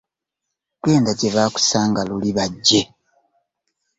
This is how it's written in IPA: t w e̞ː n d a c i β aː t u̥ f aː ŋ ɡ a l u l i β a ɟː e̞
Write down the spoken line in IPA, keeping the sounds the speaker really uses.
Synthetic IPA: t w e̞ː n d a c e β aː k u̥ s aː ŋ ɡ a l u l i β a ɟː e̞